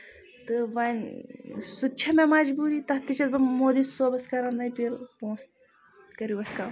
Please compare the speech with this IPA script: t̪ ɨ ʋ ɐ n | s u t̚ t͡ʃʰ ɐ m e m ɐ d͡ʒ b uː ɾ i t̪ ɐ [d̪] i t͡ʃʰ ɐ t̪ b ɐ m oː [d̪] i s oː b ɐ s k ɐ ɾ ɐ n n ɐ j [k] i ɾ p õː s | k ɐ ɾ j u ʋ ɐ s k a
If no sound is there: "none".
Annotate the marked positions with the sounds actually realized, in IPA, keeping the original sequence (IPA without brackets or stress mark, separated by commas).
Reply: t̪, d̪, p